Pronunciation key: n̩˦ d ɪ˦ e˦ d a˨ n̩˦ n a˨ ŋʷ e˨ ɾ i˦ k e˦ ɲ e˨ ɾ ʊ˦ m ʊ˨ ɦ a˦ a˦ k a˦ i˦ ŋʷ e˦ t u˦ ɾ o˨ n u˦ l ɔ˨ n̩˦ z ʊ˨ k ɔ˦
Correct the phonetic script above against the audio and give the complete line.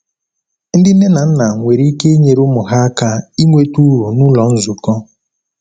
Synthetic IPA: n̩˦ d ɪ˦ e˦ n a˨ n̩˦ n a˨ ŋʷ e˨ ɾ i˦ k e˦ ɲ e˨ ɾ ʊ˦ m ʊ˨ ɦ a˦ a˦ k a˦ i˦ ŋʷ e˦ t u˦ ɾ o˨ n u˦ l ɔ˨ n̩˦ z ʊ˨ k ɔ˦

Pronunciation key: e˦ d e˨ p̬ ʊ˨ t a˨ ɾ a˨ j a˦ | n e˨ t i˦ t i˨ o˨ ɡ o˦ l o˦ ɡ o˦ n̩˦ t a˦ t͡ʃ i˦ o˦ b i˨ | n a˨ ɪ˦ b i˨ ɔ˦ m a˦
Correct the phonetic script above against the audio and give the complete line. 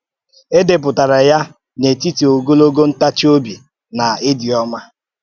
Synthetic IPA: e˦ d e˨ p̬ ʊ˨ t a˨ ɾ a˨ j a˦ | n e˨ t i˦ t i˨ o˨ ɡ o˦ l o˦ ɡ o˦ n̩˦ t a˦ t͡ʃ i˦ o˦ b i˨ | n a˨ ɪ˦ d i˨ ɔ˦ m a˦

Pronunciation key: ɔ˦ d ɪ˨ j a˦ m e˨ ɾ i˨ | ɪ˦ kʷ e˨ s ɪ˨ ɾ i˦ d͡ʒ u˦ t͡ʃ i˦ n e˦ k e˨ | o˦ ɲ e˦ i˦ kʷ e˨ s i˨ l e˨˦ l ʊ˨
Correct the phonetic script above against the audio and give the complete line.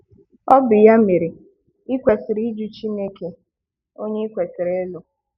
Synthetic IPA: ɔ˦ b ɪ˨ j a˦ m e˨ ɾ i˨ | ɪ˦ kʷ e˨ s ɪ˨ ɾ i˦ d͡ʒ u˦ t͡ʃ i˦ n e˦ k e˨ | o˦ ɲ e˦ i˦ kʷ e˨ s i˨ ɾ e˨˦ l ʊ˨

